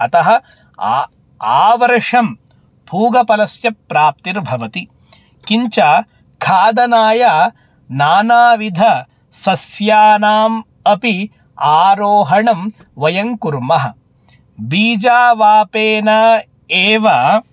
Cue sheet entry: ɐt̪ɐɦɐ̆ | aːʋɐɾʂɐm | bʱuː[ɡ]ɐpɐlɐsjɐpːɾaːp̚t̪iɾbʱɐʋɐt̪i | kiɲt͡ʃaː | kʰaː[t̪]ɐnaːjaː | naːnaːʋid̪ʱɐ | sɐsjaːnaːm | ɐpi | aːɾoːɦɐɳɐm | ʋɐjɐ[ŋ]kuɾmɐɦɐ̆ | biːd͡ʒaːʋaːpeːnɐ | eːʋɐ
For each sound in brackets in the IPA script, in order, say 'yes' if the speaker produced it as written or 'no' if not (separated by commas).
yes, no, yes